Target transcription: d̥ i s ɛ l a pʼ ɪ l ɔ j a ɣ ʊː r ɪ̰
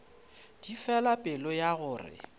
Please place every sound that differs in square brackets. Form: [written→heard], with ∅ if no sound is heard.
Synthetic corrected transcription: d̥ i [s→f] ɛ l a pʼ ɪ l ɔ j a ɣ ʊː r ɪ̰

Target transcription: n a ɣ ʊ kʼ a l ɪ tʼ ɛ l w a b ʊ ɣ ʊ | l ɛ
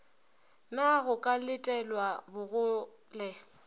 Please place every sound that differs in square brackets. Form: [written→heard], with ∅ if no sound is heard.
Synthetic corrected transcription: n a ɣ ʊ kʼ a l ɪ tʼ ɛ l w a b ʊ ɣ ʊ | l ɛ

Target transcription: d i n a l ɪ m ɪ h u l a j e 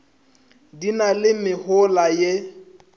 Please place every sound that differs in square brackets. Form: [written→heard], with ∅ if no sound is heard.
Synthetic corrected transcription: d i n a l ɪ m ɪ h [u→ʊ] l a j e

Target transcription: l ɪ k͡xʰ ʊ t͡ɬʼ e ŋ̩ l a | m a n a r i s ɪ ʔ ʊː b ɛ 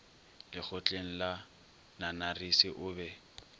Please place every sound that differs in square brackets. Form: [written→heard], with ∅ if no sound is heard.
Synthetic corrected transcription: l ɪ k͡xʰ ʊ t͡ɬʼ e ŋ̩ l a | [m→n] a n a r i s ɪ ʔ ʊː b ɛ

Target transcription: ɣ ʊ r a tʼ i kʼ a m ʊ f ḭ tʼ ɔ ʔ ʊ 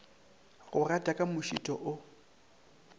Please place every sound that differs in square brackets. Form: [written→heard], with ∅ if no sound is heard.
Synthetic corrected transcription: ɣ ʊ r a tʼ [i→a] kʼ a m ʊ [f→ʃ] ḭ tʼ ɔ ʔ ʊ

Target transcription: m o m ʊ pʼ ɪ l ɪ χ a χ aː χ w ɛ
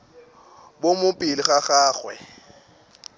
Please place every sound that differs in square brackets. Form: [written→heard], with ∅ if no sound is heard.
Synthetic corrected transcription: [m→b] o m ʊ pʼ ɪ l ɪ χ a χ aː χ w ɛ

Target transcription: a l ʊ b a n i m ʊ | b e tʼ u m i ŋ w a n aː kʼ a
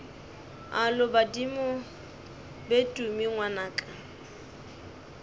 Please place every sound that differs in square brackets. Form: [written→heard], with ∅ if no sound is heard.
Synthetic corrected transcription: a l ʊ b a [n→d] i m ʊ | b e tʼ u m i ŋ w a n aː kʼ a

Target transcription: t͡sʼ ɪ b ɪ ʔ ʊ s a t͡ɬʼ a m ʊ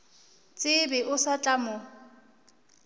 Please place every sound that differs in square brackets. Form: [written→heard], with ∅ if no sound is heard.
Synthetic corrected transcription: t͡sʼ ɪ b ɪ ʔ ʊ s a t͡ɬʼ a m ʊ

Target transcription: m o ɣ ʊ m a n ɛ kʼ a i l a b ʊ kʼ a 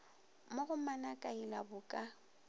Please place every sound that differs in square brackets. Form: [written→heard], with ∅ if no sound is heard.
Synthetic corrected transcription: m o ɣ ʊ m a n [ɛ→a] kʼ a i l a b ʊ kʼ a

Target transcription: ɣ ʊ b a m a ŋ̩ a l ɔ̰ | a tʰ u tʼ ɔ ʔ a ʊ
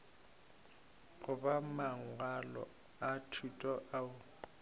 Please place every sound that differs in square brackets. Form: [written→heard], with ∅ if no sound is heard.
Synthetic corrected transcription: ɣ ʊ b a m a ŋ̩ a l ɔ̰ | a tʰ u tʼ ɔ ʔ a ʊ

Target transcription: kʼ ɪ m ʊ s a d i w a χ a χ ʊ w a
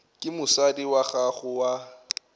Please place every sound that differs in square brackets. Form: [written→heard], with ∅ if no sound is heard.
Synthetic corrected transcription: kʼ ɪ m ʊ s a d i w a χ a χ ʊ w a

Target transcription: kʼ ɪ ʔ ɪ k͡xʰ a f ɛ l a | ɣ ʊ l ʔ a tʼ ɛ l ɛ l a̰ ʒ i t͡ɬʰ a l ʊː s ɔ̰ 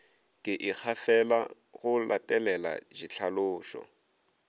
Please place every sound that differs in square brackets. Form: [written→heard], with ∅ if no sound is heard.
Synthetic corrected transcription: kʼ ɪ ʔ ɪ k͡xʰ a f ɛ l a | ɣ ʊ l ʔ a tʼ ɛ l ɛ l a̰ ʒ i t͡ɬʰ a l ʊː [s→ʃ] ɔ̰

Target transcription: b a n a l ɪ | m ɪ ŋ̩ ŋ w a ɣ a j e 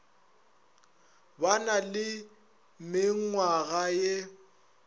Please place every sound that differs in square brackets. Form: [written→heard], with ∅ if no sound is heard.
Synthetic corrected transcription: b a n a l ɪ | m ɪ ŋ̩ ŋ w a ɣ a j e

